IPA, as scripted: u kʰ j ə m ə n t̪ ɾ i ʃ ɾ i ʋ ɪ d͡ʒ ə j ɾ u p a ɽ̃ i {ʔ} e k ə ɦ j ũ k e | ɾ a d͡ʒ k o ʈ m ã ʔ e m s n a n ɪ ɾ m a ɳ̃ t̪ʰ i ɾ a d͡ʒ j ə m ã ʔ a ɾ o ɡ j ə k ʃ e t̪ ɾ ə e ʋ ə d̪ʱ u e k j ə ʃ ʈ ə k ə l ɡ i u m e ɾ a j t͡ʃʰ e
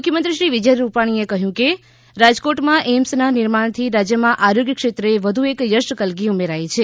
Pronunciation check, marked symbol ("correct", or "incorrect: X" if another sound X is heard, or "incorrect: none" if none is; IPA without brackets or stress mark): incorrect: none